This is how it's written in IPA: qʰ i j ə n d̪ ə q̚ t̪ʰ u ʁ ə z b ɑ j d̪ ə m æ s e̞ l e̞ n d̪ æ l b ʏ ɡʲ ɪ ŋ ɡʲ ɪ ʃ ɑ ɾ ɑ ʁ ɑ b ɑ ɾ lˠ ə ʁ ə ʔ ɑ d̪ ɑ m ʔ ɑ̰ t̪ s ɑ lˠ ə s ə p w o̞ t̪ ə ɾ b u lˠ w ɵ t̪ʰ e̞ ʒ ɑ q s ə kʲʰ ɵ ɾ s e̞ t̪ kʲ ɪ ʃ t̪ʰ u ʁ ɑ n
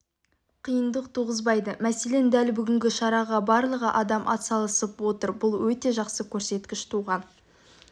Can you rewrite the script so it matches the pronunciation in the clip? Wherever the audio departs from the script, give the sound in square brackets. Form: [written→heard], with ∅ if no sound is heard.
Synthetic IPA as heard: qʰ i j ə n d̪ ə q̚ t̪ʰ u ʁ ə z b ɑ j d̪ ə m æ s e̞ l e̞ n d̪ æ l b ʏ ɡʲ ɪ ŋ ɡʲ ɪ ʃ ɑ ɾ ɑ ʁ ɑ b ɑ ɾ lˠ ə ʁ ə ʔ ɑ d̪ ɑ m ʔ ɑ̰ t̪ s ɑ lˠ ə s ə p w o̞ t̪ ə ɾ b [u→ʊ] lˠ w ɵ [t̪ʰ→t̪] e̞ ʒ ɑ q s ə kʲʰ ɵ ɾ s e̞ t̪ kʲ ɪ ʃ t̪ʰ u ʁ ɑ n